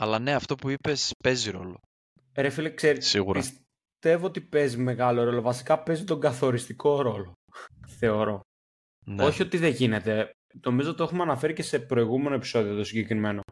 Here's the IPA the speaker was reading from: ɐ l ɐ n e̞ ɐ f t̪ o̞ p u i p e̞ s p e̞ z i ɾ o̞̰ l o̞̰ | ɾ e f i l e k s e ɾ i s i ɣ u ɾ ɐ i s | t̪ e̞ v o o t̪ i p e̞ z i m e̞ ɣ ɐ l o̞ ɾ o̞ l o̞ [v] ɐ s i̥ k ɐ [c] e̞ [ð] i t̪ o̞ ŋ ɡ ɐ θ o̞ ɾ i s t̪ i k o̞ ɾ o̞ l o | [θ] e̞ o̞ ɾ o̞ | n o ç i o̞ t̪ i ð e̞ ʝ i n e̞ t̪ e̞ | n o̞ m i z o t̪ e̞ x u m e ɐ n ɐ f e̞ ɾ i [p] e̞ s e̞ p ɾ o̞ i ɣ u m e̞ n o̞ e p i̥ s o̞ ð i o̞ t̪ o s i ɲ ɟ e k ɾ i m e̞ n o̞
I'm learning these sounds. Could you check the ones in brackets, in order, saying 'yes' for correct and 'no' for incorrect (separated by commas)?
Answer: yes, no, no, yes, no